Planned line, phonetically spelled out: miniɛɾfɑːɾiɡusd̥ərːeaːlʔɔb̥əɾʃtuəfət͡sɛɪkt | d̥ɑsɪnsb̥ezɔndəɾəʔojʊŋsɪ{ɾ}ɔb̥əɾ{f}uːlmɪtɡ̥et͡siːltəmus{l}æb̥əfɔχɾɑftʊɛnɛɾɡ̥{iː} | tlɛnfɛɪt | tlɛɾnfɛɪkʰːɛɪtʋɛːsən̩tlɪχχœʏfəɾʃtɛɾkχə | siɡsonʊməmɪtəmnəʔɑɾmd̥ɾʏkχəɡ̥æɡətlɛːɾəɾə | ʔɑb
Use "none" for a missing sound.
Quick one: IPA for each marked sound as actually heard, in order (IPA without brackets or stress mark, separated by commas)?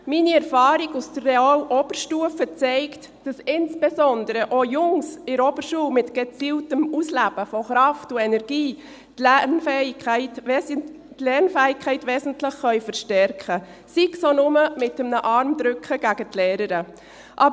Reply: ɾ, ʃ, l, iː